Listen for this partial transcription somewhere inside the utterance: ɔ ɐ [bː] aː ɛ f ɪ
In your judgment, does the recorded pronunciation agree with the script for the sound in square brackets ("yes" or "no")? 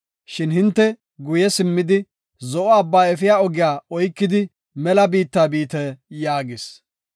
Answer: yes